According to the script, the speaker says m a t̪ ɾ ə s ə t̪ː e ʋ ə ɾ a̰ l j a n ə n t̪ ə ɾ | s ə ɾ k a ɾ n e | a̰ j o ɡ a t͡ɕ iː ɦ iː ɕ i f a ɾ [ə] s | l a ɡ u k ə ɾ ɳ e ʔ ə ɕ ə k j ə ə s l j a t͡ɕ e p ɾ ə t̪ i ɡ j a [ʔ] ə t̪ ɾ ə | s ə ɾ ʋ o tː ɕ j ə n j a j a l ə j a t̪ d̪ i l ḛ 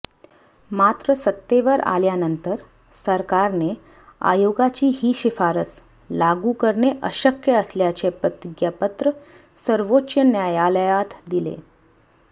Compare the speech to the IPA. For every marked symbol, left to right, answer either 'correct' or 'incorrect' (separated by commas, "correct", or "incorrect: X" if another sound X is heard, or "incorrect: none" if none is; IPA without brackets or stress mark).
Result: correct, incorrect: p